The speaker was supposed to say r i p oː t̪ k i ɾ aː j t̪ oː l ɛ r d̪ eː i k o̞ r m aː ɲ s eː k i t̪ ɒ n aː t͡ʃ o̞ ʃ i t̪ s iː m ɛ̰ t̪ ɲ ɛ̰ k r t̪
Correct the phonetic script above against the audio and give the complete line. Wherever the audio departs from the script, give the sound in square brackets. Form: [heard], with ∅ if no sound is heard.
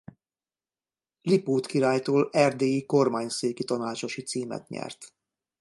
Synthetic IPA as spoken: [l] i p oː t̪ k i ɾ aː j t̪ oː l ɛ r d̪ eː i k o̞ r m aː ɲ s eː k i t̪ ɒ n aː t͡ʃ o̞ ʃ i t̪ s iː m ɛ̰ t̪ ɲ ɛ̰ [∅] r t̪

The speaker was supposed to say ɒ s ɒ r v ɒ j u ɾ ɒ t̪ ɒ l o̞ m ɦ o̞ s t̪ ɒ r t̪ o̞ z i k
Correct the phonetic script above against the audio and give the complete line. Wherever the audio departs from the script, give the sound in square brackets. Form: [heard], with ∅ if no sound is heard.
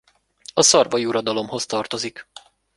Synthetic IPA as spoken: ɒ s ɒ r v ɒ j u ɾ ɒ [d̪] ɒ l o̞ m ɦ o̞ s t̪ ɒ r t̪ o̞ z i k

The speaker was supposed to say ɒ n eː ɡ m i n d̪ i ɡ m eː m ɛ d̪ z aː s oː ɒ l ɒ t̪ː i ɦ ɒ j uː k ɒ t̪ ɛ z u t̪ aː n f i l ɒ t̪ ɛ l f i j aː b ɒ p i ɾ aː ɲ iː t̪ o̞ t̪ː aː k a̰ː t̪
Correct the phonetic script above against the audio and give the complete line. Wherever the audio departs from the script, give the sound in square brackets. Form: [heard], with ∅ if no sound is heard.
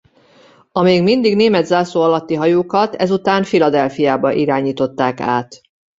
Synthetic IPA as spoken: ɒ [m] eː ɡ m i n d̪ i ɡ [n] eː m ɛ d̪ z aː s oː ɒ l ɒ t̪ː i ɦ ɒ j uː k ɒ t̪ ɛ z u t̪ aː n f i l ɒ [d̪] ɛ l f i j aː b ɒ [ʔ] i ɾ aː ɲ iː t̪ o̞ t̪ː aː k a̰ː t̪

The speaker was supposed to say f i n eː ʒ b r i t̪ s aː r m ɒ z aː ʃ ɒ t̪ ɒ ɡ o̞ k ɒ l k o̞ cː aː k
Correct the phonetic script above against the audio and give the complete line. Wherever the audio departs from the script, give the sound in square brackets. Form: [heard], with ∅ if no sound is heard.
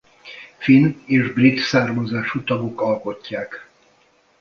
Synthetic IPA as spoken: f i n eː ʒ b r i t̪ s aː r m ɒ z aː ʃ [u] t̪ ɒ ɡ o̞ k ɒ l k o̞ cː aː k

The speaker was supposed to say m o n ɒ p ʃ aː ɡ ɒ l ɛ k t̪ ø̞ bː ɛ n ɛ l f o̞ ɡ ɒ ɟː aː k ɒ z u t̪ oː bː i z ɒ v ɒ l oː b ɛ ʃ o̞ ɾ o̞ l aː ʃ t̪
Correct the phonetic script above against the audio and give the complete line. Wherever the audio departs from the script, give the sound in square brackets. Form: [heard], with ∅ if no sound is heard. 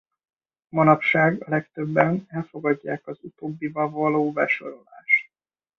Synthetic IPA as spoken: m [ɒ] n ɒ p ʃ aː ɡ ɒ l ɛ k t̪ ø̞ bː ɛ n ɛ l f o̞ ɡ ɒ ɟː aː k ɒ z u t̪ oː bː i [v] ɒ v ɒ l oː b ɛ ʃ o̞ ɾ o̞ l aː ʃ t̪

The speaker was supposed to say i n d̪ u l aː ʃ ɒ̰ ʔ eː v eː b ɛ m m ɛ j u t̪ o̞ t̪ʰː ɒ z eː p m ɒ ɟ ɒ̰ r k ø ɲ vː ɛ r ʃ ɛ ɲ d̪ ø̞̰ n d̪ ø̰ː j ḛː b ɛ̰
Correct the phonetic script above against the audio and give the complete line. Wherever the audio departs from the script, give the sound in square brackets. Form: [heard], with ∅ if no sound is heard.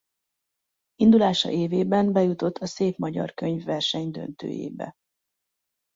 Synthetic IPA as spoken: i n d̪ u l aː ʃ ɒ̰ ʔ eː v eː b ɛ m [b] ɛ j u t̪ o̞ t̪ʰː ɒ [s] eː p m ɒ ɟ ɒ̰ r k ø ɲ vː ɛ r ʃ ɛ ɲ d̪ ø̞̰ n [t̪] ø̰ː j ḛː b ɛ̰

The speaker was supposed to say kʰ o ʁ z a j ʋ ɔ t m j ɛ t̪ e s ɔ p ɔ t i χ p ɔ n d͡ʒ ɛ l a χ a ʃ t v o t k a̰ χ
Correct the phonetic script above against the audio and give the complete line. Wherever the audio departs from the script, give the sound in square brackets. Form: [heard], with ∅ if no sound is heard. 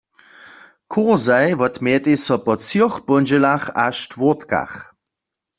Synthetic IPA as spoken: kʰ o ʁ z a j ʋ ɔ t m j ɛ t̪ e s ɔ p ɔ [t͡s] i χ p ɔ n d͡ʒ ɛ l a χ a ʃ t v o t k a̰ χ

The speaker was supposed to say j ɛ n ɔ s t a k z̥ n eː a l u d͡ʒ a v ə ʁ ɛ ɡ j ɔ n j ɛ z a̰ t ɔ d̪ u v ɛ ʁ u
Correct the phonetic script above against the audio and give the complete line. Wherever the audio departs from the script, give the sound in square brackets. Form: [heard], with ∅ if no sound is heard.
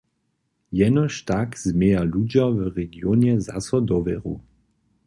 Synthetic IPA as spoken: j ɛ n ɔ [ʃ] t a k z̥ [m] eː a l u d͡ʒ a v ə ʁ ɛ ɡ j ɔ n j ɛ z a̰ [s] ɔ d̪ [ɔ] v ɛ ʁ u

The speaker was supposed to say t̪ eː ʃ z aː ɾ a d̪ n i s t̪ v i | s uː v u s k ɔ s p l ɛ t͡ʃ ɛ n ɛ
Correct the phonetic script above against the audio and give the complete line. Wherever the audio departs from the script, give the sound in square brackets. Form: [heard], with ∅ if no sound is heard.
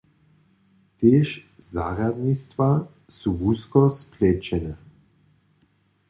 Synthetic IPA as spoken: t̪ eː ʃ z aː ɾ a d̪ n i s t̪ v [a] | s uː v u s k ɔ s p l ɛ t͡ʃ ɛ n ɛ

